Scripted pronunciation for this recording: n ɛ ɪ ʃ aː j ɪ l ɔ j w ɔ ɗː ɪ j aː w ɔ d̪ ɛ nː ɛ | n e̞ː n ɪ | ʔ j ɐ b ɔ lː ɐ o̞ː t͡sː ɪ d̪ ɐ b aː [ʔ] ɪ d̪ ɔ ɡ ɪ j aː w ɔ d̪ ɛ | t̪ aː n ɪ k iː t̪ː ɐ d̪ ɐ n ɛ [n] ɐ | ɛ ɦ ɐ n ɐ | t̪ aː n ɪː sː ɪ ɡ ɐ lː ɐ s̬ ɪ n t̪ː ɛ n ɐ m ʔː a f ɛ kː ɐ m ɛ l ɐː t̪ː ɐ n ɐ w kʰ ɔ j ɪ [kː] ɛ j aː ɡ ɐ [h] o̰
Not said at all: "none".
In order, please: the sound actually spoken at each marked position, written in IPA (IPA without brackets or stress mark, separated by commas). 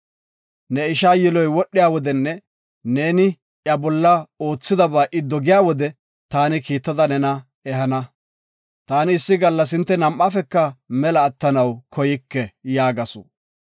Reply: ʔ, n, kː, s